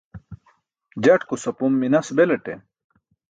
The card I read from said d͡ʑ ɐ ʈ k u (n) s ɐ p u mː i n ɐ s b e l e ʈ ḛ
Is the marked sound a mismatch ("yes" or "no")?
yes